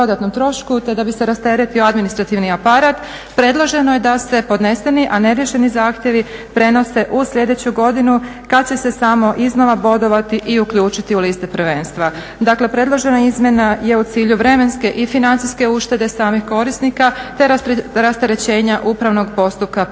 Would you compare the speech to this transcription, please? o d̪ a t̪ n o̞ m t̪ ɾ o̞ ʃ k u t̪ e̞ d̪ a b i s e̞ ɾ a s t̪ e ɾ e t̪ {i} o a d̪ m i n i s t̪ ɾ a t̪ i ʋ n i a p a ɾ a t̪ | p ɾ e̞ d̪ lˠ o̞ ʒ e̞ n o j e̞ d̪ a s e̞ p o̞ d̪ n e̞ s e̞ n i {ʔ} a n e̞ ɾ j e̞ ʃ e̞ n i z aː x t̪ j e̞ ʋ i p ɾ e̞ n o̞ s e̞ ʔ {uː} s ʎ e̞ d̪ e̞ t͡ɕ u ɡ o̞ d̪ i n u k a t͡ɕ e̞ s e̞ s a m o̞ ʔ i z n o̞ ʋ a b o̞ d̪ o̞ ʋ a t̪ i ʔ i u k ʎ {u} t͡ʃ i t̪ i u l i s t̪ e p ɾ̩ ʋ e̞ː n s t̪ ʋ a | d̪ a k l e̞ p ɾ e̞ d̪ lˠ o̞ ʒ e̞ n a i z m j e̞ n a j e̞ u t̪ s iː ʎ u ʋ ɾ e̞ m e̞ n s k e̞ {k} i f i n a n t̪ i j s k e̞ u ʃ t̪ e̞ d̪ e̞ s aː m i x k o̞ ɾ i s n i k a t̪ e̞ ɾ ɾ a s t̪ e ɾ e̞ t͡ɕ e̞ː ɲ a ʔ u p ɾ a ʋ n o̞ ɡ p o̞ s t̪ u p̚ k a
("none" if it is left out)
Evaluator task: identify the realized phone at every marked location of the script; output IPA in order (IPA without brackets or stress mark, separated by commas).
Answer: i, ʔ, u, uː, ʔ